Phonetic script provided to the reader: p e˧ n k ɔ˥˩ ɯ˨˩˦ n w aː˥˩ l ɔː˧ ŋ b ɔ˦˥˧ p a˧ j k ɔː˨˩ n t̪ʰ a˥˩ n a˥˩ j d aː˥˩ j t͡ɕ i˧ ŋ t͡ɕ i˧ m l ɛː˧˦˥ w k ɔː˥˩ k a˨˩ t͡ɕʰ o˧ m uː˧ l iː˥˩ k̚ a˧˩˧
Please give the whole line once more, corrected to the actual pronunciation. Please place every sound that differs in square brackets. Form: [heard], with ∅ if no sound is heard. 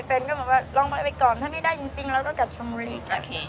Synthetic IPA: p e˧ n k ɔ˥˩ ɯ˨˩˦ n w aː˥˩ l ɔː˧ ŋ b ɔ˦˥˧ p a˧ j k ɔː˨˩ n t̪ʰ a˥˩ [m] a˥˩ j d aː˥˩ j t͡ɕ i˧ ŋ t͡ɕ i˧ [ŋ] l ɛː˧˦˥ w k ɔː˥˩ k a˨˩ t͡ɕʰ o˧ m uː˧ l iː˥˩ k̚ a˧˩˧